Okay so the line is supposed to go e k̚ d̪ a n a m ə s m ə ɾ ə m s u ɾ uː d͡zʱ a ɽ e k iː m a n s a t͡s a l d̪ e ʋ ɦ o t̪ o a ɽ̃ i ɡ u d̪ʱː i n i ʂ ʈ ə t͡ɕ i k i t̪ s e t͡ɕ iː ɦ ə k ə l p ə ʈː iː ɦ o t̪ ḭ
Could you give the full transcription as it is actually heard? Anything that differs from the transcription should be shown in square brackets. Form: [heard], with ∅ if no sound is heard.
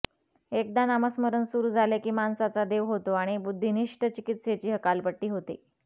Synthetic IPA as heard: e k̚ d̪ a n a m ə s m ə ɾ ə [n] s u ɾ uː d͡zʱ a [l] e k iː m a n s a t͡s a [∅] d̪ e ʋ ɦ o t̪ o a ɽ̃ i [b] u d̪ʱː i n i ʂ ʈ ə t͡ɕ i k i t̪ s e t͡ɕ iː ɦ ə k [a] l p ə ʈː iː ɦ o t̪ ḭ